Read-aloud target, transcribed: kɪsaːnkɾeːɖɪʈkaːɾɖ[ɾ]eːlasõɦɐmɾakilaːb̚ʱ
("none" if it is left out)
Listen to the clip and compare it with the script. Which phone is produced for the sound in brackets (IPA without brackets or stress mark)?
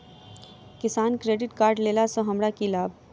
l